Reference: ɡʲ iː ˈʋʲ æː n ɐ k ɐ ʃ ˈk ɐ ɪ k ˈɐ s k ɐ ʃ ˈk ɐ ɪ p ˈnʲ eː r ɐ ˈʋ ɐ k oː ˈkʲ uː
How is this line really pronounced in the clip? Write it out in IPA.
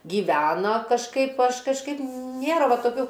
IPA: ɡʲ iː ˈʋʲ æː n ɐ k ɐ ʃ ˈk ɐ ɪ p ˈɐ ʃ k ɐ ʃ ˈk ɐ ɪ p ˈnʲ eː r ɐ ˈʋ ɐ t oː ˈkʲ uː